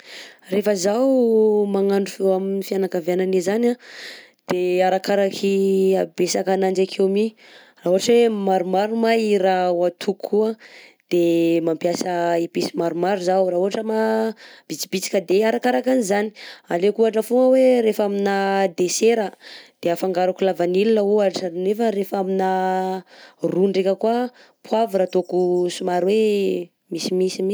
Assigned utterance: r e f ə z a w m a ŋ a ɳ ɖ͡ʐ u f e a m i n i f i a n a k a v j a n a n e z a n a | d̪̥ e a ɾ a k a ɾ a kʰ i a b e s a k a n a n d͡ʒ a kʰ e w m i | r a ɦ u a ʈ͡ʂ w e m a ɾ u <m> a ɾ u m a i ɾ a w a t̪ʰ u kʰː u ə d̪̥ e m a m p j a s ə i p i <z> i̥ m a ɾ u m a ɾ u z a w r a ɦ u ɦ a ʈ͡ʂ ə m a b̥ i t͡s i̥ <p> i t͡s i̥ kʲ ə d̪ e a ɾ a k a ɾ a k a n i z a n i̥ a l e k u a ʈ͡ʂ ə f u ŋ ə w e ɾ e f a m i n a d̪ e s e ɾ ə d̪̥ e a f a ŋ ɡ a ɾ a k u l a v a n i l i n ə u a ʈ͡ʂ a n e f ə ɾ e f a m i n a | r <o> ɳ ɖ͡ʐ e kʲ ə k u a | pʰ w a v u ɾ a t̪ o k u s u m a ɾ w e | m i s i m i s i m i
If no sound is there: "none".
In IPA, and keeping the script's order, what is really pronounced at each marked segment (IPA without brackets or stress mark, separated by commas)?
m, s, b, u